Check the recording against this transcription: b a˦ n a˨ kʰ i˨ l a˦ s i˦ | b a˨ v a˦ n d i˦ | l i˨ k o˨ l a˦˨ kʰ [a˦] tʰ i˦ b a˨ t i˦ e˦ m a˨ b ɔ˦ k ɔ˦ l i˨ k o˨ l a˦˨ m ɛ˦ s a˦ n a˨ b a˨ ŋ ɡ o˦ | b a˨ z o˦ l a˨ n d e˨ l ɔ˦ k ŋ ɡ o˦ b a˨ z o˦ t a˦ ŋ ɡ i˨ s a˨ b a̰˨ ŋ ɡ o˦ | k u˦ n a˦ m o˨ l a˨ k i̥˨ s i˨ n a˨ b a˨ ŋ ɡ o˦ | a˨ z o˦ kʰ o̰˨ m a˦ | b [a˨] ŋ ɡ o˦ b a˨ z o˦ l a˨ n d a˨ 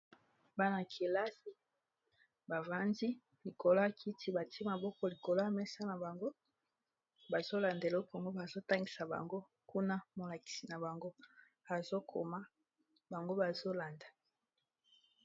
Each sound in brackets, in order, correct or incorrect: incorrect, correct

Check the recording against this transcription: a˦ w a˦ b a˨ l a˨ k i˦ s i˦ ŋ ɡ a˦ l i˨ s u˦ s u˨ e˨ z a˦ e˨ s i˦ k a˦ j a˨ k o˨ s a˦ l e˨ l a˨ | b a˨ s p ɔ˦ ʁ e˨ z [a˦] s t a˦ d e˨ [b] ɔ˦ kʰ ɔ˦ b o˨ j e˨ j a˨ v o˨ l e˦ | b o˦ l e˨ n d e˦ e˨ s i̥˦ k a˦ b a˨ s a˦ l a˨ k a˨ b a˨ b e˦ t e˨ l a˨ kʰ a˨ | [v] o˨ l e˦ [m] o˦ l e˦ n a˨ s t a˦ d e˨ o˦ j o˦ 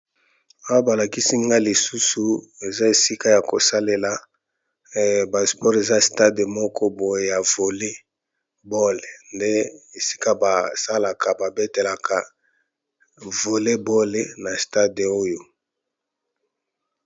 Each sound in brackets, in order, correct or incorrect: correct, incorrect, correct, incorrect

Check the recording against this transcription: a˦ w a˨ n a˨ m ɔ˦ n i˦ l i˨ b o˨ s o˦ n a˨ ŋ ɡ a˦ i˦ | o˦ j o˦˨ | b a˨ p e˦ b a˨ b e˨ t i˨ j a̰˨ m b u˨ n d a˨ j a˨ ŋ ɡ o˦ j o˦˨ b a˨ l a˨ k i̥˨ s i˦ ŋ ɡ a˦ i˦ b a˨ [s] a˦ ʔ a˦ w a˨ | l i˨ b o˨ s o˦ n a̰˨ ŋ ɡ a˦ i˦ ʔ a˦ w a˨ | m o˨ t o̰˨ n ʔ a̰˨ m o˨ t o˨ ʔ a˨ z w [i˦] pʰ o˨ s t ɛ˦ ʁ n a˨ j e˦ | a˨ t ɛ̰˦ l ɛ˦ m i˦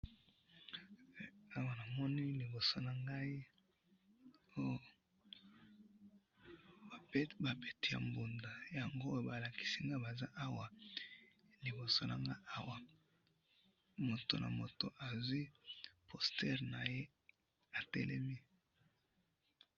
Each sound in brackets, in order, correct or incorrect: incorrect, correct

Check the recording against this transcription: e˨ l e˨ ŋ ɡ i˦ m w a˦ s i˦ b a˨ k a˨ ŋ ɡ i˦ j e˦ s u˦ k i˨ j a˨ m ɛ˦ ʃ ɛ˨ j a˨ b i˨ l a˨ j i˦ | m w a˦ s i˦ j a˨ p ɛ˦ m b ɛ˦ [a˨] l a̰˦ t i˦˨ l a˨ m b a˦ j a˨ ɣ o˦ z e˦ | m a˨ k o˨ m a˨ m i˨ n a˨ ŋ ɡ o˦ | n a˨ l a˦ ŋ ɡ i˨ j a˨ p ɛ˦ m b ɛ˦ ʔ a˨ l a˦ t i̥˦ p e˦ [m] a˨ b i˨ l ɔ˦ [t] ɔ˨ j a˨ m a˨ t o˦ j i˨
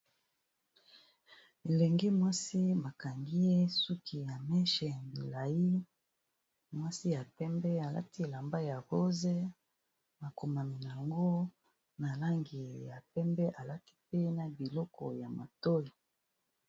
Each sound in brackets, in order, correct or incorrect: correct, incorrect, incorrect

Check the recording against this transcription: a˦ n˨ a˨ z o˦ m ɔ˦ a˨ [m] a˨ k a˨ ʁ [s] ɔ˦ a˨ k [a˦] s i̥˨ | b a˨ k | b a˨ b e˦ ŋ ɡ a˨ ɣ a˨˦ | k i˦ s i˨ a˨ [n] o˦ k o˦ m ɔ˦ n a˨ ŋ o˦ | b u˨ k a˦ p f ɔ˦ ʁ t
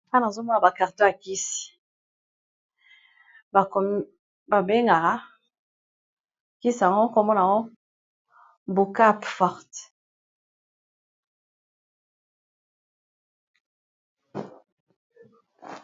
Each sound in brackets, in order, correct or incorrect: incorrect, incorrect, incorrect, incorrect

